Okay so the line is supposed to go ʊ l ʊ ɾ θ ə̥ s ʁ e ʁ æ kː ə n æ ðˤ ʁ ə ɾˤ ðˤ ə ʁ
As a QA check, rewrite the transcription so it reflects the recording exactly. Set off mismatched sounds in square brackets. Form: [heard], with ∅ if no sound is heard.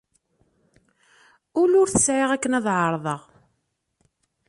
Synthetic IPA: ʊ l ʊ ɾ θ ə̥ s [ʕ] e ʁ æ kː ə n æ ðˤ [ʕ] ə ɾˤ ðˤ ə ʁ